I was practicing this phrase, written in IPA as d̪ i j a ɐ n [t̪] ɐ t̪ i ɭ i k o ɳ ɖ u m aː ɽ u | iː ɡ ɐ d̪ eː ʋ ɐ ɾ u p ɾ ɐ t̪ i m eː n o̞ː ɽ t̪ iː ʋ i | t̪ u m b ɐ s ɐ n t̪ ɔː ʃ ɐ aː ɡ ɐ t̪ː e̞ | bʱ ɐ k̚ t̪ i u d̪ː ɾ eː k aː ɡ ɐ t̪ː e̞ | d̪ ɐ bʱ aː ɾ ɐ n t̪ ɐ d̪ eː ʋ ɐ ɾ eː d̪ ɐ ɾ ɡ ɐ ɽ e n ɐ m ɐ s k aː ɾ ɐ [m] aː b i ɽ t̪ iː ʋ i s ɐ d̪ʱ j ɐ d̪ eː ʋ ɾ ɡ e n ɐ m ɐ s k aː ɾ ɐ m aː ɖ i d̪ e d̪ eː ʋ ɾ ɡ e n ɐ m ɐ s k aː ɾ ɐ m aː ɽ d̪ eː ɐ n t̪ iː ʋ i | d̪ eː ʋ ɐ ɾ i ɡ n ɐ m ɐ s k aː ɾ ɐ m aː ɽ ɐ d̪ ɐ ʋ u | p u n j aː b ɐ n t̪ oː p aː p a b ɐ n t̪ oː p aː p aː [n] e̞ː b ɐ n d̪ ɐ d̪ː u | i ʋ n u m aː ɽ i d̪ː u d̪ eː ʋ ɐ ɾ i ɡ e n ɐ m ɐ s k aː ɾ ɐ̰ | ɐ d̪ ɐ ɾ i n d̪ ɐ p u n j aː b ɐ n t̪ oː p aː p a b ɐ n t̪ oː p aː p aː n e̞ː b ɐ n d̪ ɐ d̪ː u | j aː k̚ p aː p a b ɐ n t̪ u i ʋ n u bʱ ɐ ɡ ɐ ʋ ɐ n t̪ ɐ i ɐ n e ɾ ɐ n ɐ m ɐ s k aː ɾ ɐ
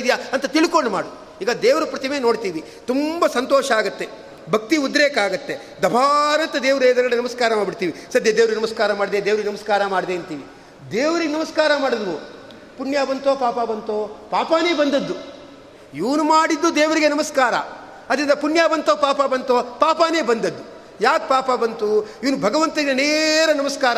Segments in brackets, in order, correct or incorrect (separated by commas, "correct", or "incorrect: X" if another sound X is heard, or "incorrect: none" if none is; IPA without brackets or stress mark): correct, correct, correct